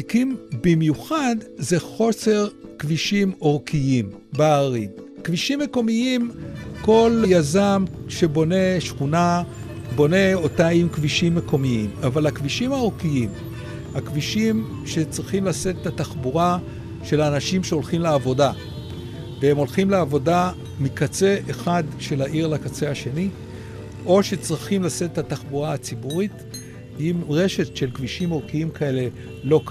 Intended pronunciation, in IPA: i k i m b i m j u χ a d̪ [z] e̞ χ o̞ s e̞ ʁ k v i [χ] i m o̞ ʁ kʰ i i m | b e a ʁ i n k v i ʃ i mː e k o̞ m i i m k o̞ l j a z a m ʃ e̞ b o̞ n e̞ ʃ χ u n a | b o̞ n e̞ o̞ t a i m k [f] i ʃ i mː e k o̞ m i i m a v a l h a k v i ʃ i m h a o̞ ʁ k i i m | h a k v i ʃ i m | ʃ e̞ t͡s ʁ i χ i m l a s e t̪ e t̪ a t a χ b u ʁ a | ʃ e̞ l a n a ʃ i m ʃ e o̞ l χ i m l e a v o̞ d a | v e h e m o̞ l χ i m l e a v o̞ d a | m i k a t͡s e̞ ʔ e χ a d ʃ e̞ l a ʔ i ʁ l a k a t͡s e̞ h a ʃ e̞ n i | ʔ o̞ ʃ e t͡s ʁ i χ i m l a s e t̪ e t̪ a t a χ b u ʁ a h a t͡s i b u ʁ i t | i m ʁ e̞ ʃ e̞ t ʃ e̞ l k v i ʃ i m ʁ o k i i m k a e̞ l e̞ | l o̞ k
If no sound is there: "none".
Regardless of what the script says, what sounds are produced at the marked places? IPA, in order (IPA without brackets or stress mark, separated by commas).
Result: z, ʃ, v